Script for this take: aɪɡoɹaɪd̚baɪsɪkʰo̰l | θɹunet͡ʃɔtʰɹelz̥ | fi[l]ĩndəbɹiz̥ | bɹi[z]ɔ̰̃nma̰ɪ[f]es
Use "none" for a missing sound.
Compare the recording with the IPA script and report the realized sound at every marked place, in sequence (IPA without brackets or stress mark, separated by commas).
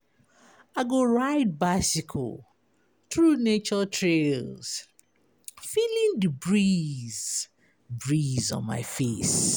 l, z, f